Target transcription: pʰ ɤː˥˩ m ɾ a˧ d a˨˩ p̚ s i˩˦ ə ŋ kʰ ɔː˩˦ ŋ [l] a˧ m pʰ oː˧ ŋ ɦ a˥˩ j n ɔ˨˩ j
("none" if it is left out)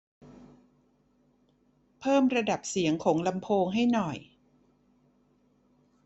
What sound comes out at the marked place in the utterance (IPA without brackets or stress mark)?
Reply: l